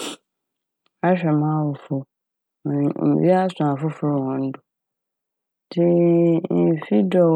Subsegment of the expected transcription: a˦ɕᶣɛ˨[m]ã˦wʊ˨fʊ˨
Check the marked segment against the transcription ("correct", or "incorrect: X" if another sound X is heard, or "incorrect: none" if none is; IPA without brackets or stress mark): correct